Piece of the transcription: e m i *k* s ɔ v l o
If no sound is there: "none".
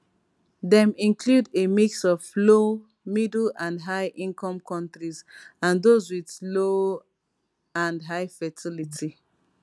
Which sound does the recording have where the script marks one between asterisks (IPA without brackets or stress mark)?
k